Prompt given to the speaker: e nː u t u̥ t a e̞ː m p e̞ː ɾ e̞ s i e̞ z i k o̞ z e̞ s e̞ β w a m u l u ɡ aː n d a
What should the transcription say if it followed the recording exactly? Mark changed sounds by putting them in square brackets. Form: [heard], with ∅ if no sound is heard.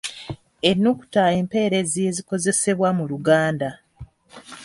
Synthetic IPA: e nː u [k] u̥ t a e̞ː m p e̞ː ɾ e̞ [z] i e̞ z i k o̞ z e̞ s e̞ β w a m u l u ɡ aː n d a